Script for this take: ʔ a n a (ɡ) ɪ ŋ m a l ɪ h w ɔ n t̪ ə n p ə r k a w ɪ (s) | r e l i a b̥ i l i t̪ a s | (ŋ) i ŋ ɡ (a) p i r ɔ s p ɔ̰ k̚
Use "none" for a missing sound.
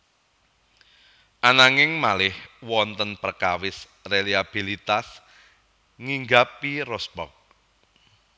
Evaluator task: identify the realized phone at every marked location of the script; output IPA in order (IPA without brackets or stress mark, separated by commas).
ŋ, s, ŋ, a